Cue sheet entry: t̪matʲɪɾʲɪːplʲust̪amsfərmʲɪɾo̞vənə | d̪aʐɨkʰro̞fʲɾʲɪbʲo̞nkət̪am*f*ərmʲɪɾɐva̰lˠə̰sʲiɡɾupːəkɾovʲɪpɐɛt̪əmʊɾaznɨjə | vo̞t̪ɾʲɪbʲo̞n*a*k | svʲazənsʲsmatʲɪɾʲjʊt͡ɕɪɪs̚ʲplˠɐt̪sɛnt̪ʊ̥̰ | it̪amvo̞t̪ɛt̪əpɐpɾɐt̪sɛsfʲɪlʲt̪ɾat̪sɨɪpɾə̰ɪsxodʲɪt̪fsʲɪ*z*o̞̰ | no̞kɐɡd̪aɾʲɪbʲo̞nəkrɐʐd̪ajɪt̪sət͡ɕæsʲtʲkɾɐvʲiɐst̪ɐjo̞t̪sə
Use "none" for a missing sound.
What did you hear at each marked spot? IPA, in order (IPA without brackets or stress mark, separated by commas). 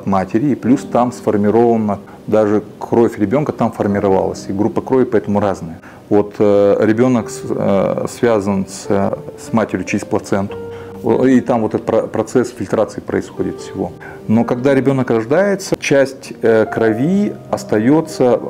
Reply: f, ə, v